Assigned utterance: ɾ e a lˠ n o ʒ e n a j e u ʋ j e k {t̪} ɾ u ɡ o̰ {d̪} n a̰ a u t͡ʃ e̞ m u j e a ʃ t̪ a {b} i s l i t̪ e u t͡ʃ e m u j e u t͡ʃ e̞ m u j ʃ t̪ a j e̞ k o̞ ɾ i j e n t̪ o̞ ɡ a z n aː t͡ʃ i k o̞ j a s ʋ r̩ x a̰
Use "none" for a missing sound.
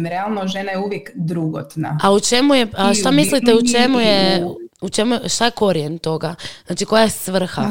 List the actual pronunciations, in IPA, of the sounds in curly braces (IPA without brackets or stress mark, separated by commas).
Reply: d̪, t̪, m